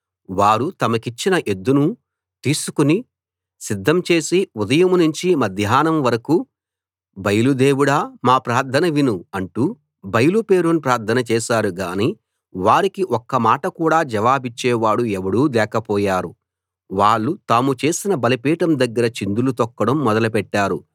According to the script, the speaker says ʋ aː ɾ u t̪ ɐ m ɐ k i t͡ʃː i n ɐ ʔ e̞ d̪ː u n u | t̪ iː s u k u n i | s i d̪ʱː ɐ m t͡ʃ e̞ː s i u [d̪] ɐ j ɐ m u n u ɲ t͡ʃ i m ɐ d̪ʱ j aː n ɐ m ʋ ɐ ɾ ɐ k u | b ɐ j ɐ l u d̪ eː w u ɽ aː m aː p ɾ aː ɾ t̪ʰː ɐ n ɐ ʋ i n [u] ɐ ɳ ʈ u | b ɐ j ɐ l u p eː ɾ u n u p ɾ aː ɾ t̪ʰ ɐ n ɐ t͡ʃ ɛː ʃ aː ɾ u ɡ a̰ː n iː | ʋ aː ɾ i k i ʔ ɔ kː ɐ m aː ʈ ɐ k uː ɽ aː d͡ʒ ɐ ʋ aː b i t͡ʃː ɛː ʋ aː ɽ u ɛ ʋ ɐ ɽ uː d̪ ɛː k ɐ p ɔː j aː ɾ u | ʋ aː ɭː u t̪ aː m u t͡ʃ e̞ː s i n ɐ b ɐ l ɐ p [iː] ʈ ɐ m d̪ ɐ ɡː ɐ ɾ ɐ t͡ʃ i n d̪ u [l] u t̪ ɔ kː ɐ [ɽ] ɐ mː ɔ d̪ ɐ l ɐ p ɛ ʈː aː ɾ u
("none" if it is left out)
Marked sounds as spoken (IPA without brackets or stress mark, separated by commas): d̪, u, iː, l, ɽ